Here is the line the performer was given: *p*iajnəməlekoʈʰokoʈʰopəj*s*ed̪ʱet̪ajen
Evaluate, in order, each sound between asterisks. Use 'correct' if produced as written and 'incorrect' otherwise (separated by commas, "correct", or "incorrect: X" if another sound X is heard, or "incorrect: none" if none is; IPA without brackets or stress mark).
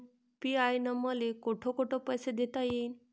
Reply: correct, correct